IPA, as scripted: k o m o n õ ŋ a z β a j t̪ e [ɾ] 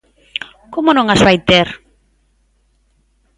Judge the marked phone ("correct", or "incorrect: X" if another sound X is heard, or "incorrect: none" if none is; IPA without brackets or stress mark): correct